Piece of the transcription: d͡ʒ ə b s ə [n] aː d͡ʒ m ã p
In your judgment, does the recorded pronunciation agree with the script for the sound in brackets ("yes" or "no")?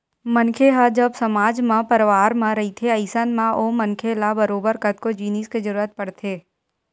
no